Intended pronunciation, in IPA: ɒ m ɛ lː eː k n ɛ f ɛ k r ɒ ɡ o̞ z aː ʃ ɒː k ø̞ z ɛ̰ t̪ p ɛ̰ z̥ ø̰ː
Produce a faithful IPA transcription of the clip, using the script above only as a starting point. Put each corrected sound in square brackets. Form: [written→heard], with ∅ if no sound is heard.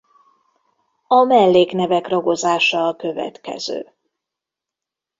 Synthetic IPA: ɒ m ɛ lː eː k n ɛ [f→v] ɛ k r ɒ ɡ o̞ z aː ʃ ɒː k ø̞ [z→v] ɛ̰ t̪ [p→k] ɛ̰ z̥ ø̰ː